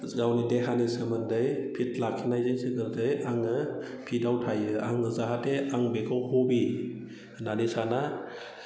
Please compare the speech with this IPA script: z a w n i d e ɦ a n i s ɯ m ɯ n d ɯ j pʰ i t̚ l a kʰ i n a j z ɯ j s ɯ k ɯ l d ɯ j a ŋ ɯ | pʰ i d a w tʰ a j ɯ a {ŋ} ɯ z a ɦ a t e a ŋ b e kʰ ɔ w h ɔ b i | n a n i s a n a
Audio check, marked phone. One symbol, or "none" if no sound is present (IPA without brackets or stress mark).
ŋ